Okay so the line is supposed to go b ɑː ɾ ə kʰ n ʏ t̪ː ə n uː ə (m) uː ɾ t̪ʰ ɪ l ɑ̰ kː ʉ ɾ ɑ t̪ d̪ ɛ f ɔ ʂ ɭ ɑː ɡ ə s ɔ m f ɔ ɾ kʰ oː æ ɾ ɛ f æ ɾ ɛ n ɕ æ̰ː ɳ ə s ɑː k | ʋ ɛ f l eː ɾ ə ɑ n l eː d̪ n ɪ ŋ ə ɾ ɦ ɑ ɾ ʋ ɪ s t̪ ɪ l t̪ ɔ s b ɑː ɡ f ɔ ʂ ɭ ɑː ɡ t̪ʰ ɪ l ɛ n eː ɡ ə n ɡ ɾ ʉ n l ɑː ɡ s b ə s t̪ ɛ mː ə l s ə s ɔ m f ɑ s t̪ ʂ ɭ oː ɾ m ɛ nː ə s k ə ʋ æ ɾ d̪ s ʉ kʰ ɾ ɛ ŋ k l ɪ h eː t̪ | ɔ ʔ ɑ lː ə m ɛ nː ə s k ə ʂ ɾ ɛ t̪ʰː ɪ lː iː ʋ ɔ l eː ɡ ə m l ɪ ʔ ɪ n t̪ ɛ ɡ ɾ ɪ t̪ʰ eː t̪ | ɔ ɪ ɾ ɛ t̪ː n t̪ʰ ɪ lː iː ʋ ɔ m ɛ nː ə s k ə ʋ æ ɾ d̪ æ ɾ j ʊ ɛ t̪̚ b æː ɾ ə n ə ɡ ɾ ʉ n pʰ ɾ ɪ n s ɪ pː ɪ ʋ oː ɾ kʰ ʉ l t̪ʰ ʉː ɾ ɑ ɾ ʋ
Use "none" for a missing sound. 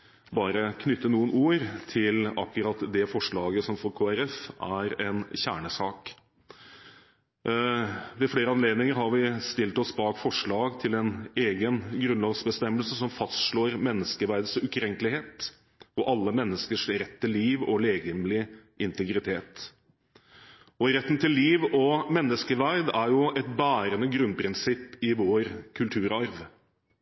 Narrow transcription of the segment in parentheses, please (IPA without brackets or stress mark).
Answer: n